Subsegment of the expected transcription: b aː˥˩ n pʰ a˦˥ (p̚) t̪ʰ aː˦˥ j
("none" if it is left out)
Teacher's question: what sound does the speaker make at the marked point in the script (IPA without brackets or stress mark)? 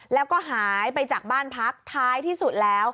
k̚